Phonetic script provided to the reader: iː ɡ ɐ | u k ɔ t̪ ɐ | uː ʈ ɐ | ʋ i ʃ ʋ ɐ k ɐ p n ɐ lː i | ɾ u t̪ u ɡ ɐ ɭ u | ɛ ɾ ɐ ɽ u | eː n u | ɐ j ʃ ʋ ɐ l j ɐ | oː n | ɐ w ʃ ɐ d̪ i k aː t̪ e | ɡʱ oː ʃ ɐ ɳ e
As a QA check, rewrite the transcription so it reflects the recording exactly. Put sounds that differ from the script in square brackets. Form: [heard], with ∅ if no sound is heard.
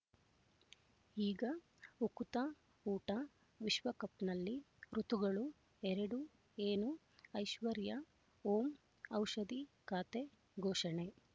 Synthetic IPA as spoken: iː ɡ ɐ | u k [u] t̪ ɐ | uː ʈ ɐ | ʋ i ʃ ʋ ɐ k ɐ p n ɐ lː i | ɾ u t̪ u ɡ ɐ ɭ u | ɛ ɾ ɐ ɽ u | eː n u | ɐ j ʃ ʋ ɐ [ɾ] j ɐ | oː [m] | ɐ w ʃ ɐ d̪ i k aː t̪ e | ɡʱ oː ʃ ɐ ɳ e